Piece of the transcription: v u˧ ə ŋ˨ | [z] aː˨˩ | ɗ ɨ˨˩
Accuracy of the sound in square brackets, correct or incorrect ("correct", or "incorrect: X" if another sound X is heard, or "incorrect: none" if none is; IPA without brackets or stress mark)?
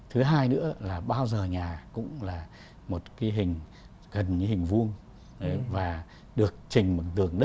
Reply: incorrect: v